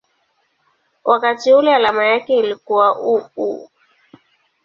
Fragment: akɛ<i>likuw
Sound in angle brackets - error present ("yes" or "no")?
no